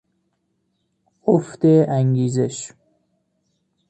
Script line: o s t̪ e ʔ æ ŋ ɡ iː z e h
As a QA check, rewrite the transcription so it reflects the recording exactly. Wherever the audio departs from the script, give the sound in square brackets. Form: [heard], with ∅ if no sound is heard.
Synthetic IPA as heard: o [f] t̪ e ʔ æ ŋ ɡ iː z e [ʃ]